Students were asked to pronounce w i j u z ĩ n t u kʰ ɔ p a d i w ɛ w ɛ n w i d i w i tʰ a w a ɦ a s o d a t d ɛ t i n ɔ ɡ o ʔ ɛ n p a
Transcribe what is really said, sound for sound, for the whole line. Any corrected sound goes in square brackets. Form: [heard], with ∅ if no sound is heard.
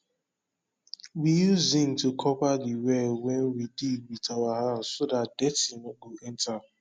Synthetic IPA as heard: w i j u z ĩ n t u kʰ ɔ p a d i w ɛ w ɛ n w i d i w i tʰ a w a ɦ a s o d a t d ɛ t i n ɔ ɡ o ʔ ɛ n [t] a